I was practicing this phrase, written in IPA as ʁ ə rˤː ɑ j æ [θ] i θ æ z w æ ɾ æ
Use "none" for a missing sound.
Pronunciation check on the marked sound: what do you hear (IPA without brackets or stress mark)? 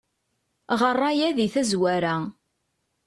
ð